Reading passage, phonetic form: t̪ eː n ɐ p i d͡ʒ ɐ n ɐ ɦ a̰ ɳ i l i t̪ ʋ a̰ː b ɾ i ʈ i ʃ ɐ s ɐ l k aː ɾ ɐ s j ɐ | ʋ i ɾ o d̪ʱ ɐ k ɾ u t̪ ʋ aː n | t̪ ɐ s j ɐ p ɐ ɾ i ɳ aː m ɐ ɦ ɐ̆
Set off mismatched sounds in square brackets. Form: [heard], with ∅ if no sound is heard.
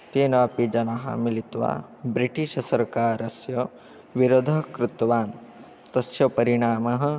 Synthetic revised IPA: t̪ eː n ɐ p i d͡ʒ ɐ n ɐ ɦ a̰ [m] i l i t̪ ʋ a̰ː b ɾ i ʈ i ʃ ɐ s ɐ [ɾ] k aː ɾ ɐ s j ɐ | ʋ i ɾ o d̪ʱ ɐ k ɾ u t̪ ʋ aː n | t̪ ɐ s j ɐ p ɐ ɾ i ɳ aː m ɐ ɦ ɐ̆